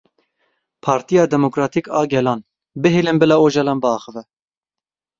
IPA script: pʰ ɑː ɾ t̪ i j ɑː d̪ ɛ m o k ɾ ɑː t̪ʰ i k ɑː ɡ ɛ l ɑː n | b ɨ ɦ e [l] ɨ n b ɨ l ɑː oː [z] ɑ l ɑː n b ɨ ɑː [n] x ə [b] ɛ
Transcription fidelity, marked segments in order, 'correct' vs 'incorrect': correct, incorrect: ʒ, incorrect: none, incorrect: v

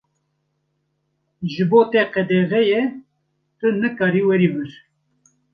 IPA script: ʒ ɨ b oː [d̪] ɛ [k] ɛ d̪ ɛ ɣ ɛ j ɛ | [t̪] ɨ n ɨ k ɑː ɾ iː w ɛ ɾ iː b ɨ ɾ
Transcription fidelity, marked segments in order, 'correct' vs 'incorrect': incorrect: t̪, incorrect: q, correct

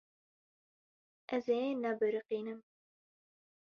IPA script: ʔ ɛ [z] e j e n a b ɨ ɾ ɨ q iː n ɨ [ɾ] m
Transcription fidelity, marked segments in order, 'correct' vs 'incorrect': correct, incorrect: none

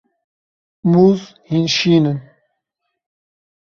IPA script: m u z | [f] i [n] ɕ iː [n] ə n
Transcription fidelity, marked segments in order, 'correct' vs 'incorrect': incorrect: h, correct, correct

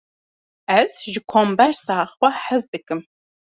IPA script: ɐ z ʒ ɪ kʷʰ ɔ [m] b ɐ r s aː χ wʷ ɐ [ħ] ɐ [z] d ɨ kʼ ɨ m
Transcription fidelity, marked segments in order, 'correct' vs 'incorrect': correct, correct, correct

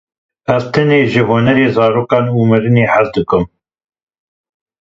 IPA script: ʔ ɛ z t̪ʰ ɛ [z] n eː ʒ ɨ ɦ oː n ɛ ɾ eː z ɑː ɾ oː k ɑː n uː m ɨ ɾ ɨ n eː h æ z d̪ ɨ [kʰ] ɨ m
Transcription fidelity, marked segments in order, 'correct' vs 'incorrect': incorrect: none, incorrect: k

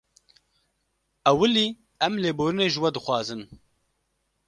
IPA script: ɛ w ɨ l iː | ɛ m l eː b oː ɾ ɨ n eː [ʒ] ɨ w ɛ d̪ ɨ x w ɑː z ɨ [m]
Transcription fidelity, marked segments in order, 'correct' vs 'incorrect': correct, incorrect: n

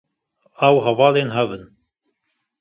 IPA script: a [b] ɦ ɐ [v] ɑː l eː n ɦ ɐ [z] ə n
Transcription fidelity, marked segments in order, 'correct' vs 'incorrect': incorrect: w, correct, incorrect: v

